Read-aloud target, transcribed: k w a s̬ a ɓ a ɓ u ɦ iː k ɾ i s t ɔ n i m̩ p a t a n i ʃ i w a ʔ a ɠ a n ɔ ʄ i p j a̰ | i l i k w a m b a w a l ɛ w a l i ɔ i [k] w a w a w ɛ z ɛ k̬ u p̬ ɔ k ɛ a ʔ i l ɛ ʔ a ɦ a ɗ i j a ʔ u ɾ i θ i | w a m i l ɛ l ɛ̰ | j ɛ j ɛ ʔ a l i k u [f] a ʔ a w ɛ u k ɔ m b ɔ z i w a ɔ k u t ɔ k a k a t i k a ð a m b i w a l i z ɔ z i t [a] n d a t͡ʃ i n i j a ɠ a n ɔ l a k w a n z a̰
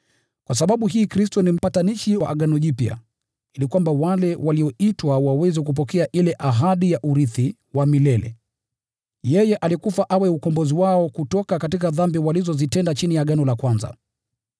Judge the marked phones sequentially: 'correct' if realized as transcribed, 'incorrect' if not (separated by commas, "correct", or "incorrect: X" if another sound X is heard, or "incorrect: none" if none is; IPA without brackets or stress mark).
incorrect: t, correct, incorrect: ɛ